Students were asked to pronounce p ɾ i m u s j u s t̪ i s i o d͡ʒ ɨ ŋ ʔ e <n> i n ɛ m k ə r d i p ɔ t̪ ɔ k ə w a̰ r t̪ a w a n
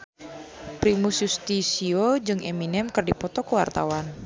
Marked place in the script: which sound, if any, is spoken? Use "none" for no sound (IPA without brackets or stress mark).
m